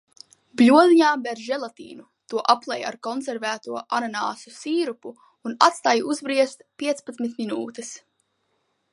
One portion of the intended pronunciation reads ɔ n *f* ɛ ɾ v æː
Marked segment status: incorrect: s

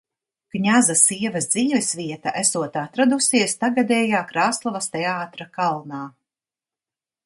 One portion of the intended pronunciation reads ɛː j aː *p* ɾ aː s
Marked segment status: incorrect: k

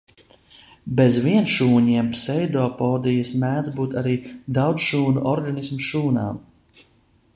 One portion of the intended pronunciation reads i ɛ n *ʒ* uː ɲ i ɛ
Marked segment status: incorrect: ʃ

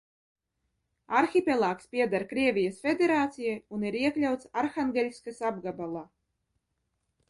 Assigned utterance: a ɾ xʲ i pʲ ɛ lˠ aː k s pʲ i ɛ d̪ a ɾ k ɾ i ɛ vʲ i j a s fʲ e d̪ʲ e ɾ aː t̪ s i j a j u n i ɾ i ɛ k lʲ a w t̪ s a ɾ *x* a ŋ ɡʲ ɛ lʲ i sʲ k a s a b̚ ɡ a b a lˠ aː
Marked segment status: correct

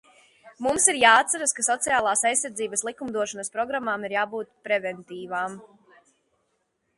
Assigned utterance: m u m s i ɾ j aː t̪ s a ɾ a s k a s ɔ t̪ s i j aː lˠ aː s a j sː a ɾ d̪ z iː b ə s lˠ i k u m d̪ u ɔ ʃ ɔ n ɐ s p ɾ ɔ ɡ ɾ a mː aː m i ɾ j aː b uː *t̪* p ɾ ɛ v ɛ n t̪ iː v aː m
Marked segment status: correct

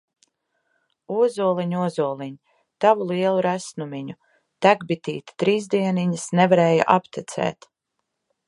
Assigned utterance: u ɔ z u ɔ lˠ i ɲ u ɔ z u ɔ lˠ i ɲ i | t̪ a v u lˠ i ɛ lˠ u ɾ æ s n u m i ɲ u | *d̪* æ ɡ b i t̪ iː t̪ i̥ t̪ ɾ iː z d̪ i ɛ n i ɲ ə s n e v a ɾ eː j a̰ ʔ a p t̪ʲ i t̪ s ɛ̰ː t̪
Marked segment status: incorrect: t̪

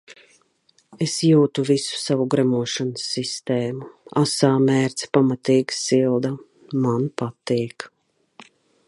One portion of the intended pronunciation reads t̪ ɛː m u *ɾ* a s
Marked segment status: incorrect: none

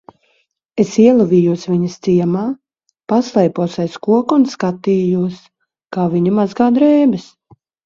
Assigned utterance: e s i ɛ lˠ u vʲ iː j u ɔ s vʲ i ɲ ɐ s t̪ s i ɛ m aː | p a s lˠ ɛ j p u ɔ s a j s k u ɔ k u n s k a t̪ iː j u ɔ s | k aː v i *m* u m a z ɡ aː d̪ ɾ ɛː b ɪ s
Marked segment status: incorrect: ɲ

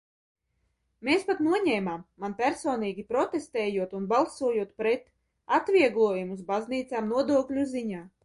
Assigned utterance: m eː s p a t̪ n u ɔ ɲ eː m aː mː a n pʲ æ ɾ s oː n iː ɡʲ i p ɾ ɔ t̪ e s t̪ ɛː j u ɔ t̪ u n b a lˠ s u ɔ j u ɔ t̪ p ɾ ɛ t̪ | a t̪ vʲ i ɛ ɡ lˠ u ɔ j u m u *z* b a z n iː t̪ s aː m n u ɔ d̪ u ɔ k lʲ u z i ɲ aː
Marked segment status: correct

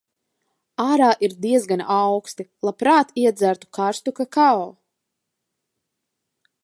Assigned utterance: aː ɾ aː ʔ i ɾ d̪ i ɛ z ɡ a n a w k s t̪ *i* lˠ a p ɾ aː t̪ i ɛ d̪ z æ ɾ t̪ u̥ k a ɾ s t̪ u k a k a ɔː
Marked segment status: correct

